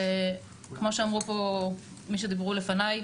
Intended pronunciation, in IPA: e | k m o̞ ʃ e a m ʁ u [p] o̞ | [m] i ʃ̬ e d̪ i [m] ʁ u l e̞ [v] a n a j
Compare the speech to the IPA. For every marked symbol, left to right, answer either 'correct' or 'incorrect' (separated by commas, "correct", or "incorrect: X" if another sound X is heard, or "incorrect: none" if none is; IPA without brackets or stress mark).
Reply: correct, correct, incorrect: b, incorrect: f